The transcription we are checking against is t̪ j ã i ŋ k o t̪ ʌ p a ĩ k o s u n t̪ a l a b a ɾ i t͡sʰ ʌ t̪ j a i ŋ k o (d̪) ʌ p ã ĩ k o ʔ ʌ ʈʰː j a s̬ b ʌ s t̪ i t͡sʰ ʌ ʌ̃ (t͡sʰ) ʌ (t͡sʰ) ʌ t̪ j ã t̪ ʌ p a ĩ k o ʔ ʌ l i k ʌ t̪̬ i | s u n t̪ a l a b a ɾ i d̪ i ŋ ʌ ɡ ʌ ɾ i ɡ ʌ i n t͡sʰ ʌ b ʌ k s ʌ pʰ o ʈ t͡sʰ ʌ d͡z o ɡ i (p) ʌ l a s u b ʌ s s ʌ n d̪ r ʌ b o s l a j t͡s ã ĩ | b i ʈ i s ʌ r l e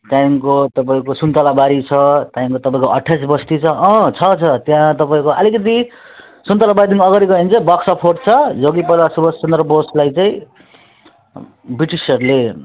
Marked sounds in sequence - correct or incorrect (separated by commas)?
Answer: incorrect, correct, correct, correct